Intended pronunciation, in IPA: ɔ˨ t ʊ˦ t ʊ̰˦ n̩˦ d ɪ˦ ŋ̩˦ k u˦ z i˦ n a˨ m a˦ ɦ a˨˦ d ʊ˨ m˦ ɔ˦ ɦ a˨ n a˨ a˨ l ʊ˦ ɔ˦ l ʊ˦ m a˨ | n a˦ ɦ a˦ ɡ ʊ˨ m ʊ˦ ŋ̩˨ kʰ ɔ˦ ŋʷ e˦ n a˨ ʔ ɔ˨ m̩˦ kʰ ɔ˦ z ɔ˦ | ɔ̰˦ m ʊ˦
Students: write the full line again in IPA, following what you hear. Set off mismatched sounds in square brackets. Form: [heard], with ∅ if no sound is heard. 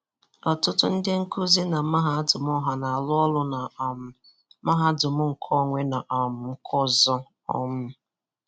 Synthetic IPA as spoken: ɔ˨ t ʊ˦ t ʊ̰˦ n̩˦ d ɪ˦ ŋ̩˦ k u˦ z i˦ n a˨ m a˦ ɦ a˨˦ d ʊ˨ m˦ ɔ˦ ɦ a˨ n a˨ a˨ l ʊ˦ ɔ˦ l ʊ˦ [n] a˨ | [m] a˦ ɦ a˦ [d] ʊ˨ m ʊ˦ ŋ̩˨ kʰ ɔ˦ ŋʷ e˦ n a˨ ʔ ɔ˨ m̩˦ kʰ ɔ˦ z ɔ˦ | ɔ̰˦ m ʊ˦